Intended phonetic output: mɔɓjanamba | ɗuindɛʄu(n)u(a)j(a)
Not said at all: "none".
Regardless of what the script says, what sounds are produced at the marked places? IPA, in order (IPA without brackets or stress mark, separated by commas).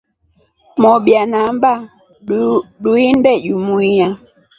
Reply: m, i, a